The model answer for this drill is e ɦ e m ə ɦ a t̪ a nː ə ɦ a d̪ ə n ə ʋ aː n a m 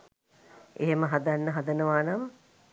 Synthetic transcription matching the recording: e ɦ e m ə ɦ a d̪ a nː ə ɦ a d̪ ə n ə ʋ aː n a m

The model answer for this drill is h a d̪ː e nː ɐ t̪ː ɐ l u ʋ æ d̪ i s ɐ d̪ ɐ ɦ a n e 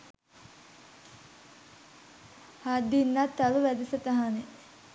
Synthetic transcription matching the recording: h a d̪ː i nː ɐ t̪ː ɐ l u ʋ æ d̪ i s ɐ t̪ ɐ ɦ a n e

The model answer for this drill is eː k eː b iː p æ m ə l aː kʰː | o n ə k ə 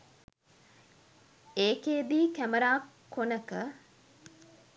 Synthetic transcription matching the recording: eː k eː b iː k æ m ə ɾ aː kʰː | o n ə k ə

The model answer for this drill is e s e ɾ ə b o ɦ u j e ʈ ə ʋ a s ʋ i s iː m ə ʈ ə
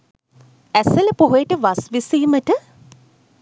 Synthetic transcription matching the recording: æ s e l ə p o ɦ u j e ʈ ə ʋ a s ʋ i s iː m ə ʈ ə

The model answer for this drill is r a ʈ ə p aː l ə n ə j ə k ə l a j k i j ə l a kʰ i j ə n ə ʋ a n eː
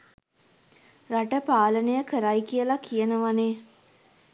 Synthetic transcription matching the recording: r a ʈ ə p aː l ə n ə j ə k ə ɾ a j k i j ə l a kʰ i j ə n ə ʋ a n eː

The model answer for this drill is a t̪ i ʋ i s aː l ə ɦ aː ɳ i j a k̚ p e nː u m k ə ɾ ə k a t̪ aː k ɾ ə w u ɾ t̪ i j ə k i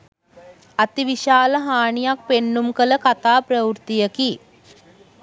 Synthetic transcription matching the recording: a t̪ i ʋ i ʃ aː l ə ɦ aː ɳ i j a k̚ p e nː u m k ə l ə k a t̪ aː p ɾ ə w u ɾ t̪ i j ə k i

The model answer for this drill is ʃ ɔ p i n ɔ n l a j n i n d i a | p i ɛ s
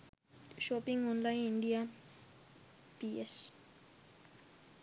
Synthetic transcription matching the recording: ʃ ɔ p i ŋ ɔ n l a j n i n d i a | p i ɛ s

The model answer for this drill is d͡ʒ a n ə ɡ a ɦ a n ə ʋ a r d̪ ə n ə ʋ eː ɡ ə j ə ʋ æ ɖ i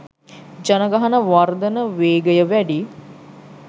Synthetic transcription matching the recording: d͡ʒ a n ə ɡ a ɦ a n ə ʋ a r d̪ ə n ə ʋ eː ɡ ə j ə ʋ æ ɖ i

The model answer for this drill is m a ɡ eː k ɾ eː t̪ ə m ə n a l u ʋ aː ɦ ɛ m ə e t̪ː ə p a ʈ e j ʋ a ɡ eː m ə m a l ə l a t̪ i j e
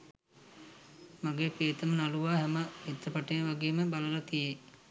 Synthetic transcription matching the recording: m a ɡ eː k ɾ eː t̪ ə m ə n a l u ʋ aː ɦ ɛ m ə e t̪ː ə p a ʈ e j ʋ a ɡ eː m ə b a l ə l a t̪ i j e

